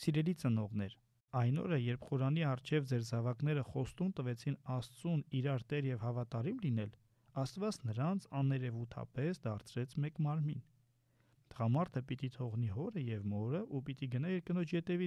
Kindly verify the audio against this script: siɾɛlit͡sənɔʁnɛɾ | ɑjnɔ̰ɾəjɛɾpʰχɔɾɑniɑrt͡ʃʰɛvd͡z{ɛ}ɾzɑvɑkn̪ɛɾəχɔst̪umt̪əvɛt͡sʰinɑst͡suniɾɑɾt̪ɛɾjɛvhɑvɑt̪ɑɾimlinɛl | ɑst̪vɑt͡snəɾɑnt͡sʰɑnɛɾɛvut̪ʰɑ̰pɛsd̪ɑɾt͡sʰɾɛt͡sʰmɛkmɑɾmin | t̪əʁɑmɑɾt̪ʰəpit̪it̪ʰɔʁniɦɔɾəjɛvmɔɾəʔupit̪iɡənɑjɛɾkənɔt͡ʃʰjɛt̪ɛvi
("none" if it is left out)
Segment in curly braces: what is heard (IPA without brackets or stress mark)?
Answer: ɛ